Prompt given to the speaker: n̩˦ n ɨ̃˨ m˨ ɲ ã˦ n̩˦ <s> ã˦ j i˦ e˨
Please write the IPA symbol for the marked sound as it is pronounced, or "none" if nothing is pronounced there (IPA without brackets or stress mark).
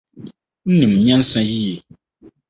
s